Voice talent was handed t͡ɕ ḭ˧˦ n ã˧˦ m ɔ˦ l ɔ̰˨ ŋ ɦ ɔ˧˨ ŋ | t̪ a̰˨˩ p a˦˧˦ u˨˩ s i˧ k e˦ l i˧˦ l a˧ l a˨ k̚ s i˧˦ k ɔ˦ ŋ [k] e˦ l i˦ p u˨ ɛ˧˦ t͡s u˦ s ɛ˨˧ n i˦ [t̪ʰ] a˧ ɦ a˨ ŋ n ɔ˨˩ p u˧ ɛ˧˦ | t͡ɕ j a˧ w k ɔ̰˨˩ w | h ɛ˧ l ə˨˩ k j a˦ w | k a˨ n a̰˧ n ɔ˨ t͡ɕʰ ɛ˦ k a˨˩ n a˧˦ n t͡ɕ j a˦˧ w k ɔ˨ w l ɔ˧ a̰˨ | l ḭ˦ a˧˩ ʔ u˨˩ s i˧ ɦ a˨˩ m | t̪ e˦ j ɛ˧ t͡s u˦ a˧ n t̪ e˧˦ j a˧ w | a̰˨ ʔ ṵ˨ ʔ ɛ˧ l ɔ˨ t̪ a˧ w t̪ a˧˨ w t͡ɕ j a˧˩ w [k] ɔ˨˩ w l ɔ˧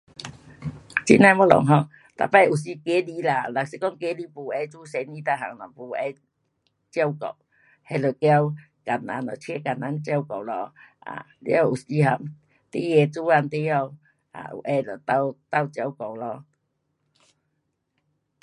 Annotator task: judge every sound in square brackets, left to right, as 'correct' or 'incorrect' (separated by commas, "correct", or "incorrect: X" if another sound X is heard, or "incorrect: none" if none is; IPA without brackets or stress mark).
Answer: correct, incorrect: t̪, correct